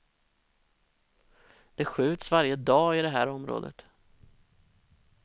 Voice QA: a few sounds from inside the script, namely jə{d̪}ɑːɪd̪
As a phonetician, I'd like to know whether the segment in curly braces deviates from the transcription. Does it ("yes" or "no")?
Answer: no